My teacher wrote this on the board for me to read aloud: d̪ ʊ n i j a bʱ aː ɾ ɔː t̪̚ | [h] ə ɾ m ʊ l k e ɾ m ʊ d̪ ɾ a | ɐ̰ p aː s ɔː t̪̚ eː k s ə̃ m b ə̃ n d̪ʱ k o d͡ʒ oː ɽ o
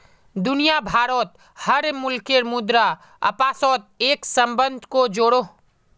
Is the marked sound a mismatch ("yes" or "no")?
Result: no